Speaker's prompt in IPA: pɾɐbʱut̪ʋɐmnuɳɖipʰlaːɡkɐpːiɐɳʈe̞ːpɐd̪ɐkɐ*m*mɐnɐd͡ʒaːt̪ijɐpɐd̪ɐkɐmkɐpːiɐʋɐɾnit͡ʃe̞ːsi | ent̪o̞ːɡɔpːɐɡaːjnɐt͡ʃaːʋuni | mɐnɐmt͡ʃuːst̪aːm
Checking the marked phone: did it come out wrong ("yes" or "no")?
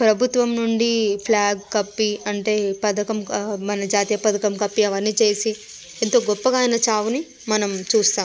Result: no